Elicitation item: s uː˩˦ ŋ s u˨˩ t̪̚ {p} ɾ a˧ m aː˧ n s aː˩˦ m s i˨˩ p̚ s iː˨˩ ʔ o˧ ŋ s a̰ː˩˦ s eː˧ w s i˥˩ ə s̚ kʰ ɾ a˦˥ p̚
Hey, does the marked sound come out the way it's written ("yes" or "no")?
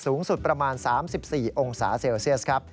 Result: yes